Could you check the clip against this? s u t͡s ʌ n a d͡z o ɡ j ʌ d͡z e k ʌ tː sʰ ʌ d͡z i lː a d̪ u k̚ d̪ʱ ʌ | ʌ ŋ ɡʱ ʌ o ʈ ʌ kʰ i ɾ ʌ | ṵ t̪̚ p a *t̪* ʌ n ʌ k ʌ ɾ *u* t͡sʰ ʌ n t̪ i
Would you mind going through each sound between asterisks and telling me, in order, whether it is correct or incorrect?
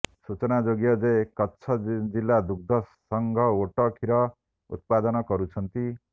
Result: incorrect: d̪, correct

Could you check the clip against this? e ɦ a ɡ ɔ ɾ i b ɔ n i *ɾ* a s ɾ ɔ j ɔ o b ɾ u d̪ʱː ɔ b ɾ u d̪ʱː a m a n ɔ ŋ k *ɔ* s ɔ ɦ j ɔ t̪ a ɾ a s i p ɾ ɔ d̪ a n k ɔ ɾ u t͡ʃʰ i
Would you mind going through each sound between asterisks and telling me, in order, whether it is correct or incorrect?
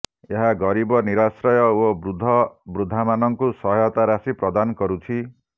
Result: correct, incorrect: u

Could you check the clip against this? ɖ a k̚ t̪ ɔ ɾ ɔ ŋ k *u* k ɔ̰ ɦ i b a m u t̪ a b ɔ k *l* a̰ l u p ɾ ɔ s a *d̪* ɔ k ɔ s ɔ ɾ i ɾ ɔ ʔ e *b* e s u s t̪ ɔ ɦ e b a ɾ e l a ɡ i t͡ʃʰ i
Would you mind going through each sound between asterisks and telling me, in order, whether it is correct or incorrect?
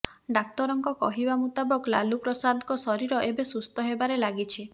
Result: incorrect: ɔ, correct, correct, correct

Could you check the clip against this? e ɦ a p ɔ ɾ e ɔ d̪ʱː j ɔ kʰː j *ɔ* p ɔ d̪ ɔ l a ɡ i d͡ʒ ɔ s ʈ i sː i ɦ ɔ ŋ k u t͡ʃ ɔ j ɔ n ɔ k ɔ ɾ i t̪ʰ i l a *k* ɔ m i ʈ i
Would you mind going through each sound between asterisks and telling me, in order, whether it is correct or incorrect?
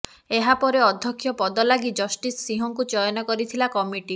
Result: correct, correct

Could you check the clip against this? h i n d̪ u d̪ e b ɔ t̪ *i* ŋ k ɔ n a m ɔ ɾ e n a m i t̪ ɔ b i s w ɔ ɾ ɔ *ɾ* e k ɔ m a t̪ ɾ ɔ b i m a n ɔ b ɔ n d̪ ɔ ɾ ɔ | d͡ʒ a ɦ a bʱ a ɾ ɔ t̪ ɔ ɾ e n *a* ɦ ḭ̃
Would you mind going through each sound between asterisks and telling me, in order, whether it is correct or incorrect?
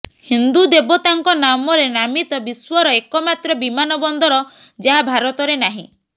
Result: incorrect: a, incorrect: none, correct

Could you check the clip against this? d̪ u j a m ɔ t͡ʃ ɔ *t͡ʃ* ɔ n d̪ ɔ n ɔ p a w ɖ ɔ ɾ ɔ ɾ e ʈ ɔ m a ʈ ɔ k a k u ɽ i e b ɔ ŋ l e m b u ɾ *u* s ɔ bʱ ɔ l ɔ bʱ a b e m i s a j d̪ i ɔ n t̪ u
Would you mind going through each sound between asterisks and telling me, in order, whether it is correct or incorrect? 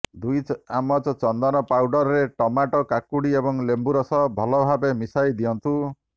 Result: correct, incorrect: ɔ

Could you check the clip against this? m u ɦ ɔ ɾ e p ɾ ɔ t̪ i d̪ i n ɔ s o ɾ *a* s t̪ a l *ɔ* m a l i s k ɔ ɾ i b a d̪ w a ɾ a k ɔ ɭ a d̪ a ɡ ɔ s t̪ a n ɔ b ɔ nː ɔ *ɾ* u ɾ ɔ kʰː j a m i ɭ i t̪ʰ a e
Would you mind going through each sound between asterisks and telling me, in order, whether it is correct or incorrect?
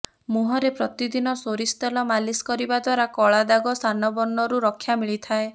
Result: incorrect: i, correct, correct

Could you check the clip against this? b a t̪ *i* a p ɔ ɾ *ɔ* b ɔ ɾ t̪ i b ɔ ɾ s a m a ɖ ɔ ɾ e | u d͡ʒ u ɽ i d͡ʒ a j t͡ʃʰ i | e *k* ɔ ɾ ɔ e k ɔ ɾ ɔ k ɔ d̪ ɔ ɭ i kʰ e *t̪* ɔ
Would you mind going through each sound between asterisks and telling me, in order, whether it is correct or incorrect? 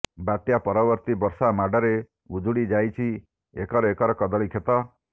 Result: incorrect: j, correct, correct, correct

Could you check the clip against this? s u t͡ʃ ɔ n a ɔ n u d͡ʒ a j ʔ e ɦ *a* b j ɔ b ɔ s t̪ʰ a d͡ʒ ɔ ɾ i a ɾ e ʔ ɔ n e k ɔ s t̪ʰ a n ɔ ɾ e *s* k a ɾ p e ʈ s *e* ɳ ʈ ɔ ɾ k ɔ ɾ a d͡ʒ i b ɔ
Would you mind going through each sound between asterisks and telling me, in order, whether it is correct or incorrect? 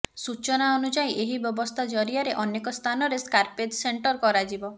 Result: incorrect: i, correct, correct

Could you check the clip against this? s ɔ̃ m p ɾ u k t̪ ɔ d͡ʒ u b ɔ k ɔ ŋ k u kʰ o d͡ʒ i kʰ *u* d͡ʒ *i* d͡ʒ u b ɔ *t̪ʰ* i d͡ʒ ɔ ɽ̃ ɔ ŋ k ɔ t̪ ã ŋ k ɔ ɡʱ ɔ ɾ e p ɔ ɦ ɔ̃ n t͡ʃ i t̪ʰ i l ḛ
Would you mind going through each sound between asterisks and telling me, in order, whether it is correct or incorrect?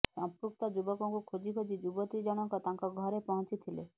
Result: incorrect: o, correct, incorrect: t̪

